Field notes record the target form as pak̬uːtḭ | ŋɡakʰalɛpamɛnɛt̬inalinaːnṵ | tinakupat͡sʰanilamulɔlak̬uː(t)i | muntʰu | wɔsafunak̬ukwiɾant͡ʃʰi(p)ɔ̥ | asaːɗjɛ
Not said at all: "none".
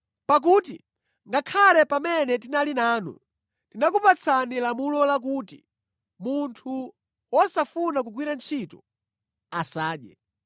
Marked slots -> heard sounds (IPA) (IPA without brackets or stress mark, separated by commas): t, t